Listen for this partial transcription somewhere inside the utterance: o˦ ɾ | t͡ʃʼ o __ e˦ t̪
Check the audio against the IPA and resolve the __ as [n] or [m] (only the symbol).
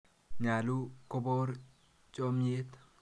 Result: m